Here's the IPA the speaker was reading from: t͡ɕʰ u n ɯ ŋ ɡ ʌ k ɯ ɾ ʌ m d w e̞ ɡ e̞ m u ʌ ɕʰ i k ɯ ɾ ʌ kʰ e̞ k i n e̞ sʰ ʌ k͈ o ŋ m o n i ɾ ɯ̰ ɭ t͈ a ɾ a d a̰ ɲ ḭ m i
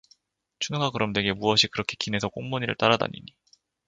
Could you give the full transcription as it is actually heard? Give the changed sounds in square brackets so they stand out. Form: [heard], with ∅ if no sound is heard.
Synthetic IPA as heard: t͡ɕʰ u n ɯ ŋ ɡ [a] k ɯ ɾ ʌ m d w e̞ ɡ e̞ m u ʌ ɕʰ i k ɯ ɾ ʌ kʰ e̞ k i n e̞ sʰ ʌ k͈ o ŋ m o [ɲ] i ɾ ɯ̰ ɭ t͈ a ɾ a d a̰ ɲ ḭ [ɲ] i